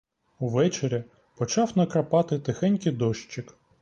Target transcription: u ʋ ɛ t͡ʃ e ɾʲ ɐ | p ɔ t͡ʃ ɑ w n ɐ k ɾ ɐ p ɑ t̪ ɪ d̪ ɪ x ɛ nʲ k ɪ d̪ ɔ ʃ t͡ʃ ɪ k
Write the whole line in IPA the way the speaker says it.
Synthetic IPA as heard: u ʋ ɛ t͡ʃ e ɾʲ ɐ | p ɔ t͡ʃ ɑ w n ɐ k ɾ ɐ p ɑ t̪ ɪ t̪ ɪ x ɛ nʲ k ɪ d̪ ɔ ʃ t͡ʃ ɪ k